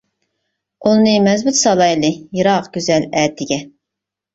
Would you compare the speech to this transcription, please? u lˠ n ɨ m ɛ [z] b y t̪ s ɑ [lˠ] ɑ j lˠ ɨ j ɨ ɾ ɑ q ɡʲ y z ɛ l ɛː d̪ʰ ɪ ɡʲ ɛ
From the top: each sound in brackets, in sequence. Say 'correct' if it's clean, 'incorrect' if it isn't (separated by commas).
correct, correct